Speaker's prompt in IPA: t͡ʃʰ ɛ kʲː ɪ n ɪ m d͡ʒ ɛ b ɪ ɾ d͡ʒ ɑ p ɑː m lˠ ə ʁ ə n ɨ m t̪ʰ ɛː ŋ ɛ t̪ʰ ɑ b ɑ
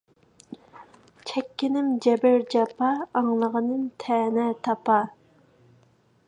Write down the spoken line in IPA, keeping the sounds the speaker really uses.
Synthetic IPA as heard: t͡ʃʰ ɛ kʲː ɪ n ɪ m d͡ʒ ɛ b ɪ ɾ d͡ʒ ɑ p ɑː ŋ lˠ ə ʁ ə n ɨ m t̪ʰ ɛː n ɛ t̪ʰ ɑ p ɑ